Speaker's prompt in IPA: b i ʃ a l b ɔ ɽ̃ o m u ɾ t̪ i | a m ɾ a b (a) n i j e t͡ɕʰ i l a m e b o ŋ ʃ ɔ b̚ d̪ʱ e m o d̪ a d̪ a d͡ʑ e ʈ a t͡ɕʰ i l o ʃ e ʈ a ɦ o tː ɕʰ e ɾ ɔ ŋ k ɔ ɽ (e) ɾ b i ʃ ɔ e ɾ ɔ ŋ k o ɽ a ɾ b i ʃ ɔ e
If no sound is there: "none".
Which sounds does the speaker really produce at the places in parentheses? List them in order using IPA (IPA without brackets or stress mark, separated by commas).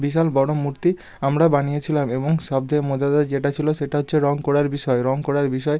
a, a